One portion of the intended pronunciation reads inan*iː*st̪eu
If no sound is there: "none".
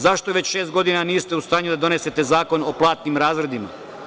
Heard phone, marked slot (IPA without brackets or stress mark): iː